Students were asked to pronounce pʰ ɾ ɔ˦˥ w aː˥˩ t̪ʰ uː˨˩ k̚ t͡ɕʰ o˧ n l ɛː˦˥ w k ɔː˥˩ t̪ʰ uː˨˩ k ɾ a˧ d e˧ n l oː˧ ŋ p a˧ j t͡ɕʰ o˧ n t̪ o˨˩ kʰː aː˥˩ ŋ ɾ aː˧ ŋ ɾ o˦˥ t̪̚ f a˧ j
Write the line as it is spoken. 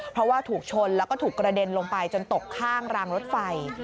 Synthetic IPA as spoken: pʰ ɾ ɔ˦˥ w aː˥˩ t̪ʰ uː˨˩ k̚ t͡ɕʰ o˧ n l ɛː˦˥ w k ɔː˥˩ t̪ʰ uː˨˩ k ɾ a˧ d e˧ n l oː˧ ŋ p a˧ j t͡ɕ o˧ n t̪ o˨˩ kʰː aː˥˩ ŋ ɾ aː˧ ŋ ɾ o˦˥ t̪̚ f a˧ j